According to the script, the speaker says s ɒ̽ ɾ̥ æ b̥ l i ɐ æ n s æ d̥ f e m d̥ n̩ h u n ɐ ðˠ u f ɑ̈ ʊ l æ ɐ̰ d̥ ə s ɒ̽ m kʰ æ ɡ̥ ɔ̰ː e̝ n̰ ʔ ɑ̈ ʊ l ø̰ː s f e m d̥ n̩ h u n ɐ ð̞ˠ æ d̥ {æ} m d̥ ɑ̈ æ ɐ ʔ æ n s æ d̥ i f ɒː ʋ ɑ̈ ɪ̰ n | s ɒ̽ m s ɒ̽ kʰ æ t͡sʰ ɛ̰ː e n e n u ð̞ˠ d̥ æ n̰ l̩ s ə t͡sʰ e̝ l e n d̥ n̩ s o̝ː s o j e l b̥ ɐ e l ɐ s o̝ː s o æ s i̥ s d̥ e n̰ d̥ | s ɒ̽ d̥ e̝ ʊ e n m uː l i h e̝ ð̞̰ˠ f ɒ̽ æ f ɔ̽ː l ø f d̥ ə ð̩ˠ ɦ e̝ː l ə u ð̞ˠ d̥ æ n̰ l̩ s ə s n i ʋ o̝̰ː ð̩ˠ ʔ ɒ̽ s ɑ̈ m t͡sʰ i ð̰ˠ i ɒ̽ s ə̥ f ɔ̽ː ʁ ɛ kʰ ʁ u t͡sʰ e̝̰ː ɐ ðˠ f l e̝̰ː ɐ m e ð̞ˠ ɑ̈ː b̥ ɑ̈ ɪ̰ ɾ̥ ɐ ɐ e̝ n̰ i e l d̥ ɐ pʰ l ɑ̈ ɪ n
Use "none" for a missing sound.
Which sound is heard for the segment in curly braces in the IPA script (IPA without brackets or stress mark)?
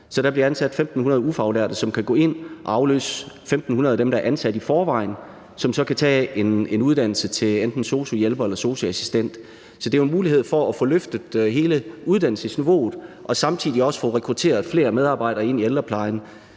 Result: e